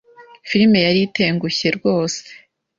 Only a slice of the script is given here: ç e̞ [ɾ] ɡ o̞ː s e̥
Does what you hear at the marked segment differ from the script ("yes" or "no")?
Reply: no